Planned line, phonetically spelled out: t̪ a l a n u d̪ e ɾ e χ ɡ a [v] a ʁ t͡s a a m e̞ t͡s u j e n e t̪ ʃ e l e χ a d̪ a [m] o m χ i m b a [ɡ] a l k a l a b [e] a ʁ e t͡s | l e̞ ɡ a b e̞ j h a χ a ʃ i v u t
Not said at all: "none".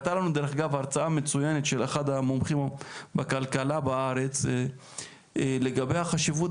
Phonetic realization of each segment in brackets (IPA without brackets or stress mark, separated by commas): v, m, k, a